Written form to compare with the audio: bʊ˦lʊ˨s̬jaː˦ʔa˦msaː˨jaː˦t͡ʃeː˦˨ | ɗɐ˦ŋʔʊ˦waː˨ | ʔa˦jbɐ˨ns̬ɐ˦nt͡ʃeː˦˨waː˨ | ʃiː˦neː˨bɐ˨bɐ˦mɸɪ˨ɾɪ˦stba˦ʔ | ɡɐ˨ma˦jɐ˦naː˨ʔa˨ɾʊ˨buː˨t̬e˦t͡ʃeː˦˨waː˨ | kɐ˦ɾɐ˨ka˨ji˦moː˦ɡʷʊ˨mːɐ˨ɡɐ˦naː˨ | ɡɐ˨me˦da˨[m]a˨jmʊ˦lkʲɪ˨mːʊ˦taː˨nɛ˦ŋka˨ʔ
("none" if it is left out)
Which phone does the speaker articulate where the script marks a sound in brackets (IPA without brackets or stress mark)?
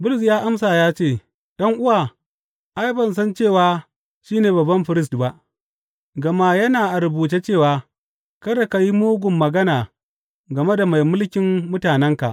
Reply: m